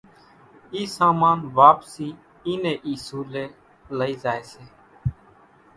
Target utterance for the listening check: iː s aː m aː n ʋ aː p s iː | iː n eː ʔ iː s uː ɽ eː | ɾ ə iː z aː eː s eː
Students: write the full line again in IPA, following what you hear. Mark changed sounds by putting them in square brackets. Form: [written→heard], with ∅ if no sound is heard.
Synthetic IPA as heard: iː s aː m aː n ʋ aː p s iː | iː n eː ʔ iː s uː [ɽ→l] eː | [ɾ→l] ə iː z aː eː s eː

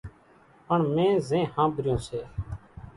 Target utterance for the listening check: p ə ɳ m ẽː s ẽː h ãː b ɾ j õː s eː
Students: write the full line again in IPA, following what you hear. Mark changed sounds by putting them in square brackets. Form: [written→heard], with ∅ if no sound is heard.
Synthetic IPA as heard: p ə ɳ m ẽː [s→z] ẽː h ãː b ɾ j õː s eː

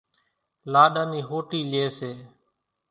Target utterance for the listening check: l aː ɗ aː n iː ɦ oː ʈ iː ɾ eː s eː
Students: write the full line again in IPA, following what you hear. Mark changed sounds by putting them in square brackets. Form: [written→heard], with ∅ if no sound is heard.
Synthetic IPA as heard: l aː ɗ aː n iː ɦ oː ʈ iː [ɾ→l] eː s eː

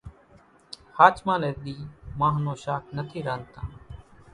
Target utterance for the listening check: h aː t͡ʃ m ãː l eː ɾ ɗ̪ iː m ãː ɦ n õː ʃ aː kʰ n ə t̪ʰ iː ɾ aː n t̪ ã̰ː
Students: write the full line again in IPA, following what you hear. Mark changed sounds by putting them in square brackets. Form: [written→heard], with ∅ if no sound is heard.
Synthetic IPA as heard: h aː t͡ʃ m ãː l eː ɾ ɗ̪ iː m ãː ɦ n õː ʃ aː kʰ n ə t̪ʰ iː ɾ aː n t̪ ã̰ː

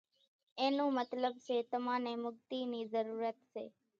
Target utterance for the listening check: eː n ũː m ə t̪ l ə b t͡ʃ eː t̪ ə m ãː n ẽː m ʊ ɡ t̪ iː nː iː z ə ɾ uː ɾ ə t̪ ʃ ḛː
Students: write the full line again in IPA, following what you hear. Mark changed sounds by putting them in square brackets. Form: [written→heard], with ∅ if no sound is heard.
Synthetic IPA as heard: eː n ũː m ə t̪ l ə b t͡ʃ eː t̪ ə m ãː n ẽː m ʊ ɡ t̪ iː [nː→n] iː z ə ɾ uː ɾ ə t̪ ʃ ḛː

